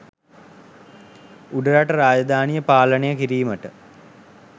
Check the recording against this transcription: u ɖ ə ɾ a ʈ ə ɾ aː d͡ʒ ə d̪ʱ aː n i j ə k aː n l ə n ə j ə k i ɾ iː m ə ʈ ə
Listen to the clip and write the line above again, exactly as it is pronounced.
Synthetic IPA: u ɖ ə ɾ a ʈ ə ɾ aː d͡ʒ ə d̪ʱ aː n i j ə p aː l ə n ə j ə k i ɾ iː m ə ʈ ə